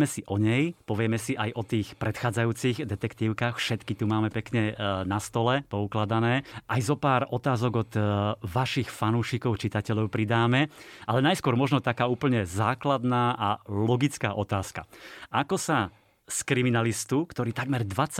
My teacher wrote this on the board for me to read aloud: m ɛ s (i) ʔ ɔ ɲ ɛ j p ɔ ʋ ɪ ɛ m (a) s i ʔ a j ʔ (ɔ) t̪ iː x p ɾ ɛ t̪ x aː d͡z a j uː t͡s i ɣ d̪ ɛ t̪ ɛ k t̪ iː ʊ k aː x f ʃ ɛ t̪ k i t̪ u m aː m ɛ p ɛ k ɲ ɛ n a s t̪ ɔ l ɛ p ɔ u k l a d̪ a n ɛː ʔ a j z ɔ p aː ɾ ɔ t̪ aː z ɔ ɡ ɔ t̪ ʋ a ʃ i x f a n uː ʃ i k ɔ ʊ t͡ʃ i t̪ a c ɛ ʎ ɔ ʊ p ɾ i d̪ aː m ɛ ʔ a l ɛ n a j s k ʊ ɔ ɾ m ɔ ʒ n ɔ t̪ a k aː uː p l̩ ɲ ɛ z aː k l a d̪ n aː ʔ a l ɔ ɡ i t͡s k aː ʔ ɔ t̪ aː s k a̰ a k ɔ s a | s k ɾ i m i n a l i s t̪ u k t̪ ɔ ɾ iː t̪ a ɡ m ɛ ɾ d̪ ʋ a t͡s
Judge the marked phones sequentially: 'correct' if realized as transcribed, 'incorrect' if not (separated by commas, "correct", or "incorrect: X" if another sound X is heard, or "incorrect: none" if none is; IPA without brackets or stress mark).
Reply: correct, incorrect: ɛ, correct